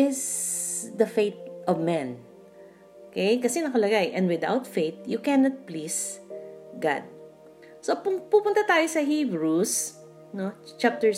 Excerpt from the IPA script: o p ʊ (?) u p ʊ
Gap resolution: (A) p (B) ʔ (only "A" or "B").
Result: A